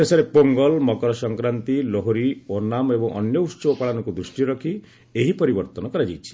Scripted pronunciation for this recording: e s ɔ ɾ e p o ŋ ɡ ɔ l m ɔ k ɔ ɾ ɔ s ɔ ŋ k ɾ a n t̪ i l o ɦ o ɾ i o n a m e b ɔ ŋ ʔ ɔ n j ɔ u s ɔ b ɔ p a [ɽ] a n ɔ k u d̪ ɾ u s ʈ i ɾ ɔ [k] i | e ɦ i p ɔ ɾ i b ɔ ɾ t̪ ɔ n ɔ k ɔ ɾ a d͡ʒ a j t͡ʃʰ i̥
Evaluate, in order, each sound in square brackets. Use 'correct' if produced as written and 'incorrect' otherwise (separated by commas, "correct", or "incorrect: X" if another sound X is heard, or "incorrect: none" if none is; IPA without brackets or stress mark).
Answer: incorrect: ɭ, incorrect: kʰ